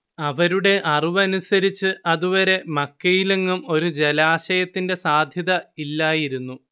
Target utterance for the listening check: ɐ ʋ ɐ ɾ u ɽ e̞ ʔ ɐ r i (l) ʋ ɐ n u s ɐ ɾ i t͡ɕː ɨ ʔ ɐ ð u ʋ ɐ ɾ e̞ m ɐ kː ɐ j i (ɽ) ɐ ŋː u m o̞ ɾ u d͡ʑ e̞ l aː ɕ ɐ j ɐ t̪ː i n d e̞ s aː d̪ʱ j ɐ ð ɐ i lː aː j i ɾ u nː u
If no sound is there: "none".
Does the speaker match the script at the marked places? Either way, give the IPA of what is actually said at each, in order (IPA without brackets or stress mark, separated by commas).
none, l